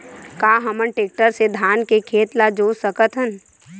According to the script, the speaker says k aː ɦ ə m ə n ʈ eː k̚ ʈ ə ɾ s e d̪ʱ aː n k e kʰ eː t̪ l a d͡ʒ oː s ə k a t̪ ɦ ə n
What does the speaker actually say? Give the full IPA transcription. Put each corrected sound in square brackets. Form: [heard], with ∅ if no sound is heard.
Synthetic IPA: k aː ɦ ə m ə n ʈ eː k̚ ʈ ə ɾ s e d̪ʱ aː n k e kʰ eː t̪ l a d͡ʒ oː s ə k [ə] t̪ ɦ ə n